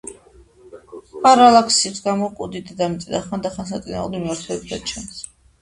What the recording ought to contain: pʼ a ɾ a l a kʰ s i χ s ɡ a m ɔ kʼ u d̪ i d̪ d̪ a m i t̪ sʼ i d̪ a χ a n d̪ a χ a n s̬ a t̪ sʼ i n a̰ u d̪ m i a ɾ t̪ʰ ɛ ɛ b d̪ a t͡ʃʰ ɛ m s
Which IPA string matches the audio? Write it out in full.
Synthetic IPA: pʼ a ɾ a l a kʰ s i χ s ɡ a m ɔ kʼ u d̪ i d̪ d̪ a m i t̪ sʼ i d̪ a χ a n d̪ a χ a n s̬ a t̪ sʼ i n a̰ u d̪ m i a ɾ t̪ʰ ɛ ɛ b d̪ a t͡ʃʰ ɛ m s